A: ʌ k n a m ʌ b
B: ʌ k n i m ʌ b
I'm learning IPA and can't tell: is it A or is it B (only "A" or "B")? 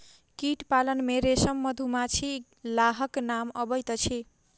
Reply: A